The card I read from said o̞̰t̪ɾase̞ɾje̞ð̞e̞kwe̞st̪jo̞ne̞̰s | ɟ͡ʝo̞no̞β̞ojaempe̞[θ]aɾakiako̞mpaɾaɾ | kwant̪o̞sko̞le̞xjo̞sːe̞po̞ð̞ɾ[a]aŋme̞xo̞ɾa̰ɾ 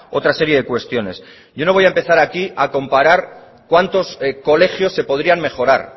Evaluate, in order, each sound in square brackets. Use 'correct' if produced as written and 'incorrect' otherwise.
correct, incorrect: i

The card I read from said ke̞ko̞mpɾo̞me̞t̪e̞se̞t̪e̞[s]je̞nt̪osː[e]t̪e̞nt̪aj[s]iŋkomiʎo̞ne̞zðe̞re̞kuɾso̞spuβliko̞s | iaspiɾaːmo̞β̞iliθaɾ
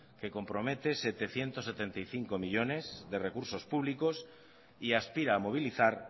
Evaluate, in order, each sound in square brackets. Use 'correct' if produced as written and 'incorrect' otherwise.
incorrect: θ, correct, incorrect: θ

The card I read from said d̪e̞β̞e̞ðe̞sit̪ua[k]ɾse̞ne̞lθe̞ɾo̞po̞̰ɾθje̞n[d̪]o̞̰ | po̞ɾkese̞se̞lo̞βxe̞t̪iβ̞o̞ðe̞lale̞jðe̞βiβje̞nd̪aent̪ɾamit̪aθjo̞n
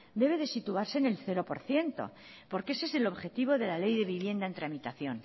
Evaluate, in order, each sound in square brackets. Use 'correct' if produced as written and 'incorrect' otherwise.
incorrect: none, incorrect: t̪

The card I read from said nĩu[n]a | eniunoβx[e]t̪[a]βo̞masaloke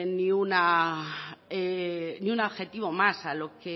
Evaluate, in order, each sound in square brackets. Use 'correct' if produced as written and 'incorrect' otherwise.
correct, correct, incorrect: i

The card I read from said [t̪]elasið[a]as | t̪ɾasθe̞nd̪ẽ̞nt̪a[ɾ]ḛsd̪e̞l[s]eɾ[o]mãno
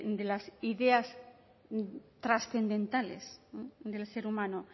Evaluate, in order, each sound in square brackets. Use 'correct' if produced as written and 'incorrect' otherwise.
incorrect: d̪, incorrect: e, incorrect: l, correct, incorrect: u

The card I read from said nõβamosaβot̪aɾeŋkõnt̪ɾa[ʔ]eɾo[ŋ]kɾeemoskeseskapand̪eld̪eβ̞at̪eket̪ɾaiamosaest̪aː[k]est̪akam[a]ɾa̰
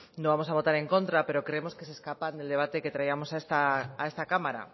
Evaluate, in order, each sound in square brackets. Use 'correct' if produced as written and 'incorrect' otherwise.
incorrect: p, incorrect: none, incorrect: none, correct

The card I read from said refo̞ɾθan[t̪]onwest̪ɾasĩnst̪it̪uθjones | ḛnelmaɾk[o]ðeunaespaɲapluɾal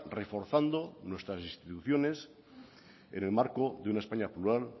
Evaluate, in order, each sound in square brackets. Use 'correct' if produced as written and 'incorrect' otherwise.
incorrect: d̪, correct

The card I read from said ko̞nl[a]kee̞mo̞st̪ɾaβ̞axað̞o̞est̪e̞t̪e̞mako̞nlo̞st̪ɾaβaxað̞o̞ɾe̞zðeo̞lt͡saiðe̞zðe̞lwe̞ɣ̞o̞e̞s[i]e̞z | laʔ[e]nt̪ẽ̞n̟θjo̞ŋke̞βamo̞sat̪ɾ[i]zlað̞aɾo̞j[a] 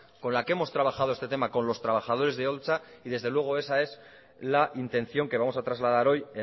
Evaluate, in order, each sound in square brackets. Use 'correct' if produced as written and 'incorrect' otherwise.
correct, incorrect: a, incorrect: i, incorrect: a, incorrect: e

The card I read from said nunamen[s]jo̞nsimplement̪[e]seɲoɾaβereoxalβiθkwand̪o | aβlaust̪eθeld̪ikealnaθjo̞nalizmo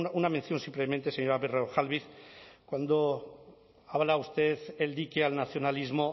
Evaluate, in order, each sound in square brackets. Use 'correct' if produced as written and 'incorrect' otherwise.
incorrect: θ, correct

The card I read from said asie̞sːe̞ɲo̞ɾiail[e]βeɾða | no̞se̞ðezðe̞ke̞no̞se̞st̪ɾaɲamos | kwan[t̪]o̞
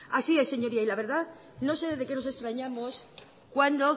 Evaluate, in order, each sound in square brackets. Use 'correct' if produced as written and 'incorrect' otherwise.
incorrect: a, incorrect: d̪

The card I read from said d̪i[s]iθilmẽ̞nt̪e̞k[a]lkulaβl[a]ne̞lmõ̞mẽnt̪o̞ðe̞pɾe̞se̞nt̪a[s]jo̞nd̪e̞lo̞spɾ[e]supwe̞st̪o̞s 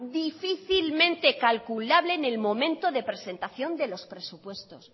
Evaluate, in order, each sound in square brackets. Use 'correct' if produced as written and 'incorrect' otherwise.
incorrect: f, correct, incorrect: e, incorrect: θ, correct

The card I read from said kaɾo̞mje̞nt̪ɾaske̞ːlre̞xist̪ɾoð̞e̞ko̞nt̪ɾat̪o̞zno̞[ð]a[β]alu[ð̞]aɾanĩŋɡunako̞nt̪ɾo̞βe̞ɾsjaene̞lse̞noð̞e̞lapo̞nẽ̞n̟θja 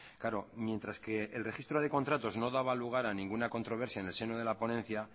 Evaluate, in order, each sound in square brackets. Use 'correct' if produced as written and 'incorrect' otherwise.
correct, correct, incorrect: ɣ̞

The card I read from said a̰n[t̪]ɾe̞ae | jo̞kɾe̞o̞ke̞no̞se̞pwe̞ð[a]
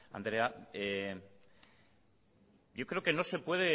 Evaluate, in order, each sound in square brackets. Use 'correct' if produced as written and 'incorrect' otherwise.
incorrect: d̪, incorrect: e

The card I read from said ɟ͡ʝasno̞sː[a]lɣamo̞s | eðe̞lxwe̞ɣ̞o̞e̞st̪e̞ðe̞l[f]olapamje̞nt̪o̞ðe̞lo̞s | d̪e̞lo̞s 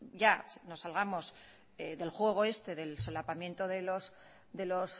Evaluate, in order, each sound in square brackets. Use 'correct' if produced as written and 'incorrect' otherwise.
correct, incorrect: s

